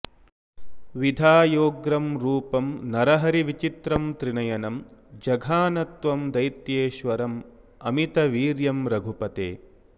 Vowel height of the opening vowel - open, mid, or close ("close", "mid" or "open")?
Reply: close